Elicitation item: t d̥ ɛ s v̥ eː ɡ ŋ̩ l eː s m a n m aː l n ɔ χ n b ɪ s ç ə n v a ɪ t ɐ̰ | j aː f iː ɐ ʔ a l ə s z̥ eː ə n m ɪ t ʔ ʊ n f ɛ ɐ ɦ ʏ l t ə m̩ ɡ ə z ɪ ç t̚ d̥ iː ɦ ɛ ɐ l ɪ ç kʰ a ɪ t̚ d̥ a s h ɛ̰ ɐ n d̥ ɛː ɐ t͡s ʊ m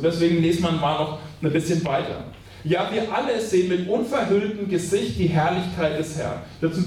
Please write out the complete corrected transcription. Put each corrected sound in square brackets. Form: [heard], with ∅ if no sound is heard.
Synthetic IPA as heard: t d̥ ɛ s v̥ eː ɡ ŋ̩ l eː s m a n m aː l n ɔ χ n b ɪ s ç ə n v a ɪ t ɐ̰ | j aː [v] iː ɐ ʔ a l ə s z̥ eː ə n m ɪ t ʔ ʊ n f ɛ ɐ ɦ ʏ l t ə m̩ ɡ ə z ɪ ç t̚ d̥ iː ɦ ɛ ɐ l ɪ ç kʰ a ɪ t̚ d̥ [ɛ] s h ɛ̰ ɐ n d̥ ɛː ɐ t͡s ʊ m